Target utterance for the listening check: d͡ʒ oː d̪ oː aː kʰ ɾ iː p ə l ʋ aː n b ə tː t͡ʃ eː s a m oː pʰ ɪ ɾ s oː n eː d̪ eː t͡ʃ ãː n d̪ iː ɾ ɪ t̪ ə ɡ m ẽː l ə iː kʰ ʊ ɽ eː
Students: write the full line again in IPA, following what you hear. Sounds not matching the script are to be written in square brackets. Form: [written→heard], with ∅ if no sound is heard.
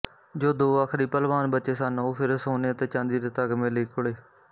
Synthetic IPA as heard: d͡ʒ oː d̪ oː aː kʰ ɾ iː p ə l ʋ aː n b ə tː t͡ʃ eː s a [m→n] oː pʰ ɪ ɾ s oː n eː [d̪→t̪] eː t͡ʃ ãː n d̪ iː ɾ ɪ t̪ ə ɡ m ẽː l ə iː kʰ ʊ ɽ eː